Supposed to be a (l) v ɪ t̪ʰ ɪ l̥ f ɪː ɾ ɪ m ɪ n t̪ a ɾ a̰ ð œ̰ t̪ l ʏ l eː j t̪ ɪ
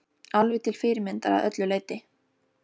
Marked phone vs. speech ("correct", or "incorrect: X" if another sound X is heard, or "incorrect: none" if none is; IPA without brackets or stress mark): correct